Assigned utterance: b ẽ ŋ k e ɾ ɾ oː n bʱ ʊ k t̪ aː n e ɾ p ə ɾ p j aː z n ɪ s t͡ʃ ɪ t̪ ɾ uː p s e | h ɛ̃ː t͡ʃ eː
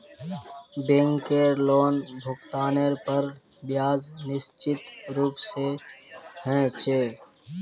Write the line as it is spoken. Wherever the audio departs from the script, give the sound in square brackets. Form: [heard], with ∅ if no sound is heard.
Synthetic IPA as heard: b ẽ ŋ k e ɾ [l] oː n bʱ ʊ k t̪ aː n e ɾ p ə ɾ [b] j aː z n ɪ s t͡ʃ ɪ t̪ ɾ uː p s e | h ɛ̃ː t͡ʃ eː